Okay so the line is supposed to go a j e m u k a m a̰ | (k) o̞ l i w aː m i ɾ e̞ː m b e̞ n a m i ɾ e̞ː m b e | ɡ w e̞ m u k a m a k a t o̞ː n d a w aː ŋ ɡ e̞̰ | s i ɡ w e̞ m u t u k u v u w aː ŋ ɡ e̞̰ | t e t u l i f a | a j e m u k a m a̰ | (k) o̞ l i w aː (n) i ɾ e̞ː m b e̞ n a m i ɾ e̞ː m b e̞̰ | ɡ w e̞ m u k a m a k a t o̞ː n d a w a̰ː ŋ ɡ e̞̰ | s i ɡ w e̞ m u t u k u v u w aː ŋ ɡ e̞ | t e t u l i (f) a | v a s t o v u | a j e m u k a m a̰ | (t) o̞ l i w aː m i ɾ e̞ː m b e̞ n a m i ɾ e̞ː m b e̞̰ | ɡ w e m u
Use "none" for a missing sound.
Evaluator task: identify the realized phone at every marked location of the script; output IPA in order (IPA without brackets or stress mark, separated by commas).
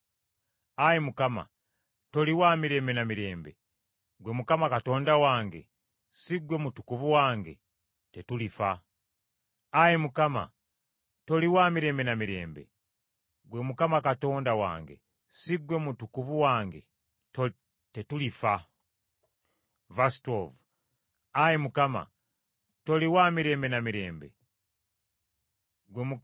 t, t, m, f, t